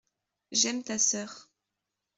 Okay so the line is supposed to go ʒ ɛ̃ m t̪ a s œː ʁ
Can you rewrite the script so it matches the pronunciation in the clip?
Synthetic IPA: ʒ ɛ m t̪ a s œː ʁ